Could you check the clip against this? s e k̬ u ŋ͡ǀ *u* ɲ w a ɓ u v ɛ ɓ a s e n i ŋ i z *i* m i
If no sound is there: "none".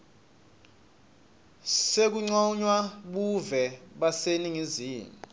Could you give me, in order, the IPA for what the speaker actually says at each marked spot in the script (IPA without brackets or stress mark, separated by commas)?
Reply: ɔ, iː